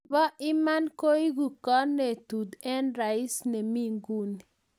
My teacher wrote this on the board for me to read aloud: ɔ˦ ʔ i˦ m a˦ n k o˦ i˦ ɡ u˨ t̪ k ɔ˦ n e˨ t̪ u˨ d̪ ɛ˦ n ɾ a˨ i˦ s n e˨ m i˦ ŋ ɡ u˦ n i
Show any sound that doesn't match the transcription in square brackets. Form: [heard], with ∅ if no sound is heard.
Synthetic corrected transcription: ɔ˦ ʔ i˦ m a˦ n k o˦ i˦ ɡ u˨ [∅] k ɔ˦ n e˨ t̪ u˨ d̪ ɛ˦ n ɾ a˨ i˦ s n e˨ m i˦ ŋ ɡ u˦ n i